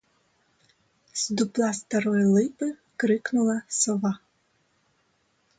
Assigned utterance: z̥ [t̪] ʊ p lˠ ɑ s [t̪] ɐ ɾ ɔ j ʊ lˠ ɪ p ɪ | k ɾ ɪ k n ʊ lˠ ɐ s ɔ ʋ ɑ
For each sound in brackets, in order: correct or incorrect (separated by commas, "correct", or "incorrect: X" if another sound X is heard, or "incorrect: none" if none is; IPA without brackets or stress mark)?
incorrect: d̪, correct